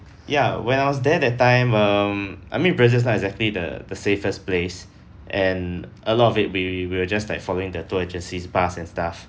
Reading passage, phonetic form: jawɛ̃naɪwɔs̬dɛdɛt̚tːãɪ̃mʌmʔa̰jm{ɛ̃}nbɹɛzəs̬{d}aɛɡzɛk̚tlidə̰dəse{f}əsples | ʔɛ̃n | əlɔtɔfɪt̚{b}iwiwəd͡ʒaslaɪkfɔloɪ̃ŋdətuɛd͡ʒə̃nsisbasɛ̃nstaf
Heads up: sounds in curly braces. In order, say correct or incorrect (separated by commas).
incorrect, incorrect, correct, incorrect